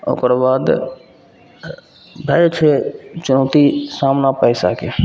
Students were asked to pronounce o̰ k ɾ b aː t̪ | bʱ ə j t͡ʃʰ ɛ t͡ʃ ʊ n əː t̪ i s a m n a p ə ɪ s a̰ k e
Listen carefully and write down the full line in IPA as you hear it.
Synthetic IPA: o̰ k ɾ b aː d̪ | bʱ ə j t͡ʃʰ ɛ t͡ʃ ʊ n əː t̪ i s a m n a p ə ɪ s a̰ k e